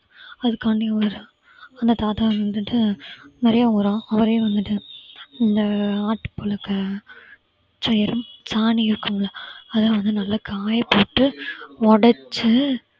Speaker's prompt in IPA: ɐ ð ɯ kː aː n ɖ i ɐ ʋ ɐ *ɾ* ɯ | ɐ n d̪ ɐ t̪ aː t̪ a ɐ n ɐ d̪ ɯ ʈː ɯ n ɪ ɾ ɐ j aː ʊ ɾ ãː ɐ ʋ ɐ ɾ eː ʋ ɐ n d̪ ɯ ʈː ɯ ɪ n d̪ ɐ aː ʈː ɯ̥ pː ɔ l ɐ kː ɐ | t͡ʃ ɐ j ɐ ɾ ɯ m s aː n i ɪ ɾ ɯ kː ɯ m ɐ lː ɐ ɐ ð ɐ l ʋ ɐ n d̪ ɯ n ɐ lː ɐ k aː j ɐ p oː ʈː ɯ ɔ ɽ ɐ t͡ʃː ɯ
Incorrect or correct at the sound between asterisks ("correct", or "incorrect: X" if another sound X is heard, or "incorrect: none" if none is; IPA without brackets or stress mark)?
correct